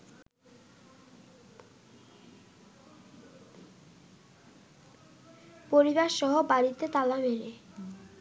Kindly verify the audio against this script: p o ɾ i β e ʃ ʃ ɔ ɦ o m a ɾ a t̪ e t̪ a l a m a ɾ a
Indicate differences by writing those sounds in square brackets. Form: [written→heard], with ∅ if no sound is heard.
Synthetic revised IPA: p o ɾ i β [e→a] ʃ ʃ ɔ ɦ o [m→b] a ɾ [a→i] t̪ e t̪ a l a m [a→e] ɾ [a→e]